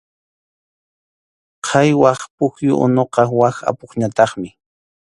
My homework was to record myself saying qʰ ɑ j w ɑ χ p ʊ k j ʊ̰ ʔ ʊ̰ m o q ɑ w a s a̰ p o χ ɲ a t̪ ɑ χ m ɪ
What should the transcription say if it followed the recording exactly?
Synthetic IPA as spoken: qʰ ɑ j w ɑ χ p ʊ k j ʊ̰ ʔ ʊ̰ n o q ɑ w a x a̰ p o χ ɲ a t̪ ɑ χ m ɪ